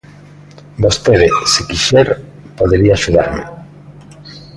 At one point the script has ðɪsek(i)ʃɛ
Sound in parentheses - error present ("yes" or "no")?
no